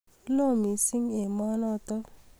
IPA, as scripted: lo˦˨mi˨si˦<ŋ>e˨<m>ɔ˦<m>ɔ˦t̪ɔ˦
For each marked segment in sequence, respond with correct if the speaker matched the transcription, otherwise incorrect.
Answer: correct, correct, incorrect

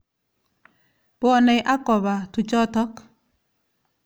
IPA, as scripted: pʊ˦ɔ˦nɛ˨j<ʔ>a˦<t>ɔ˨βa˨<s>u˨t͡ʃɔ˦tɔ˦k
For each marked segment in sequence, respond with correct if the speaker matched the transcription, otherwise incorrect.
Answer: correct, incorrect, incorrect

